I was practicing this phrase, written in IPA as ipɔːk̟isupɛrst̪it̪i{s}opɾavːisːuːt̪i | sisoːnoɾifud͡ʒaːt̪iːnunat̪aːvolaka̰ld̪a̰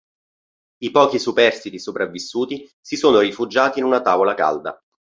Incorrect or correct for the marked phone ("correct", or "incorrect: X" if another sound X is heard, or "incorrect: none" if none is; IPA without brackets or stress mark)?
correct